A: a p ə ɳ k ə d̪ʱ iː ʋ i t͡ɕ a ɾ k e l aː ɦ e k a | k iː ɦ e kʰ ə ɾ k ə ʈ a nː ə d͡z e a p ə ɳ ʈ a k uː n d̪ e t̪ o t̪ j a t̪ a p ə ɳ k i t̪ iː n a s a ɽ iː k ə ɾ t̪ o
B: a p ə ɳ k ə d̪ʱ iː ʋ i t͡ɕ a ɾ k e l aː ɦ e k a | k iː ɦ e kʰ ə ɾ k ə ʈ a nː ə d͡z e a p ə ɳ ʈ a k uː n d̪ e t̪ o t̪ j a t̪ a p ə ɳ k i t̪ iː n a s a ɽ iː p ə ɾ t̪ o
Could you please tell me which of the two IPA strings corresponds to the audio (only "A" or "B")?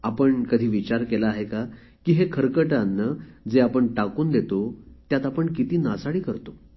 A